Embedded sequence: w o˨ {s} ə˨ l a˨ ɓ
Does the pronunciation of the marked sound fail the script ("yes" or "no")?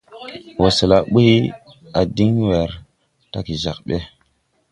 no